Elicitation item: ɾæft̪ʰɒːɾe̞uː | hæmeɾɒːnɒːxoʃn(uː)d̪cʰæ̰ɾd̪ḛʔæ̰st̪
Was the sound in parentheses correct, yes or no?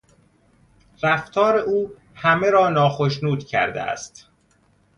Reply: yes